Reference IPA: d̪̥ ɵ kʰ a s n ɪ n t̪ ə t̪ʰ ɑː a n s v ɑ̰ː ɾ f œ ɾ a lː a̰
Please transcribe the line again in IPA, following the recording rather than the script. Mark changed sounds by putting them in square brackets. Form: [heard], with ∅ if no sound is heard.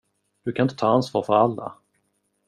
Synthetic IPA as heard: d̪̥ ɵ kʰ a [∅] n ɪ n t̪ ə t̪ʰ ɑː a n s v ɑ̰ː ɾ f œ ɾ a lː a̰